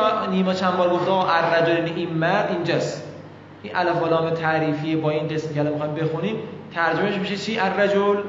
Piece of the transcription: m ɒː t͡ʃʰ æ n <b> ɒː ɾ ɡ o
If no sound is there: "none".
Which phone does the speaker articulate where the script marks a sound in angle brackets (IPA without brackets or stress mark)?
b